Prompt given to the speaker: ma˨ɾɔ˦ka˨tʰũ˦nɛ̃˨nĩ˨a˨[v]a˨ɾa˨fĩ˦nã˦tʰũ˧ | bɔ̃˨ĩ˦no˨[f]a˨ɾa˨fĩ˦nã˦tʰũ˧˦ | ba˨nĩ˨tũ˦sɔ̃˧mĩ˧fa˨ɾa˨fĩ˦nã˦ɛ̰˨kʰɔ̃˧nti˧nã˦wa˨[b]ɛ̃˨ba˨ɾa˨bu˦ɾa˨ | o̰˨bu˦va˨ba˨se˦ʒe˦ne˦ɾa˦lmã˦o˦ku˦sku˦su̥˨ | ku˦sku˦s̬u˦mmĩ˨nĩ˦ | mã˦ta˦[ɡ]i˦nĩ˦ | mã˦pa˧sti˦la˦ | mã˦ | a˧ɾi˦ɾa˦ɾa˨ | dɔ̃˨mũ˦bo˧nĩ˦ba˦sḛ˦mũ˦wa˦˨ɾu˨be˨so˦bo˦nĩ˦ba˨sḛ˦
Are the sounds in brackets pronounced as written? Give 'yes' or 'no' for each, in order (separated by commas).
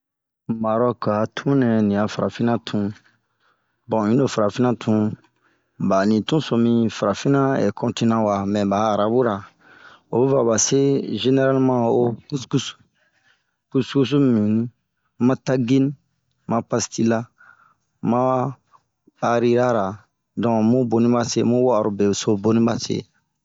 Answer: no, yes, no, yes